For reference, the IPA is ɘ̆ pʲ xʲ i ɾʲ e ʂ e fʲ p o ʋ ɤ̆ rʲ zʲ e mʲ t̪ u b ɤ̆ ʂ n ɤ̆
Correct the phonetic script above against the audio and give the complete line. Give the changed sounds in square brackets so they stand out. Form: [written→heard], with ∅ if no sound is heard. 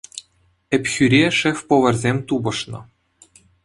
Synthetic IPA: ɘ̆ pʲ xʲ [i→y] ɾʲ e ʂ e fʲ p o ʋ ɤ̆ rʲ zʲ e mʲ t̪ u b ɤ̆ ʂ n ɤ̆